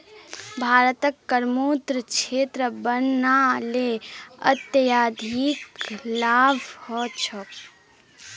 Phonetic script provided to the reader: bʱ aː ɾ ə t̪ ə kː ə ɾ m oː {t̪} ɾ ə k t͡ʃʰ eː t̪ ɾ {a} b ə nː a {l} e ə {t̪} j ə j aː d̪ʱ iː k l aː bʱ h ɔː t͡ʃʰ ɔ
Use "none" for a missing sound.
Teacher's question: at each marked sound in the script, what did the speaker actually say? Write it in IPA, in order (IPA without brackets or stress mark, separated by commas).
t̪, ə, l, t̪